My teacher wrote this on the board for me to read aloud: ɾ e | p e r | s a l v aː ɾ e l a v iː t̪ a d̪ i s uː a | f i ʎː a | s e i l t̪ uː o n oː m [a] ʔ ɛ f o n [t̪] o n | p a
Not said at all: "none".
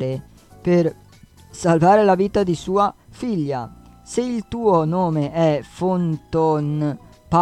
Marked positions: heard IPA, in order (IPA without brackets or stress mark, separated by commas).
e, t̪